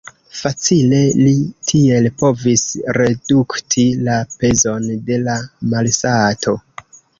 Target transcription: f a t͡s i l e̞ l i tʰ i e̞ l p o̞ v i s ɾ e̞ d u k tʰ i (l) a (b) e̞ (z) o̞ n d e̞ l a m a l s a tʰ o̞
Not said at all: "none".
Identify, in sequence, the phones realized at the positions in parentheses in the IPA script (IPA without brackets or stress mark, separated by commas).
l, p, z